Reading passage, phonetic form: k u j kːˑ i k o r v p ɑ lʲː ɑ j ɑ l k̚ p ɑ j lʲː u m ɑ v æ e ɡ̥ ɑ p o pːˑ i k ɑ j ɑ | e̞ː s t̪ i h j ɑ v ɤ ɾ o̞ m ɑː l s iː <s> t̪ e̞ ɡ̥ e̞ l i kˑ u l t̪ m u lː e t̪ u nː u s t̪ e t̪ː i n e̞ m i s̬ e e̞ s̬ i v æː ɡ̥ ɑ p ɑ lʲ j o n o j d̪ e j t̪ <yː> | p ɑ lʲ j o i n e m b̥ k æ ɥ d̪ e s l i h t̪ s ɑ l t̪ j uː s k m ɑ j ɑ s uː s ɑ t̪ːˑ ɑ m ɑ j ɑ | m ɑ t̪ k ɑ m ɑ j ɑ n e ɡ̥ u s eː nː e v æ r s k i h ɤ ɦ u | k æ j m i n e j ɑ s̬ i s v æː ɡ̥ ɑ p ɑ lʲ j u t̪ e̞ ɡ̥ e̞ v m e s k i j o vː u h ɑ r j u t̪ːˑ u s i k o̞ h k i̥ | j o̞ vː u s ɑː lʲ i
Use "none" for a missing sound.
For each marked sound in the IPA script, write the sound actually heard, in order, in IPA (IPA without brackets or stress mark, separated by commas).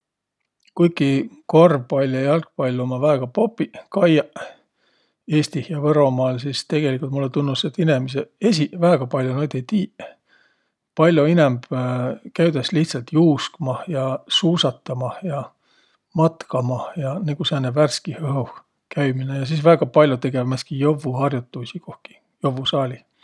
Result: s, iː